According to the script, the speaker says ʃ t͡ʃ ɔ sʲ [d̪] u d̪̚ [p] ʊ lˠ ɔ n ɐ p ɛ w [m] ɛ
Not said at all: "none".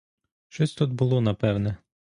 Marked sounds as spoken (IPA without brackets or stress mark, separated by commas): t̪, b, n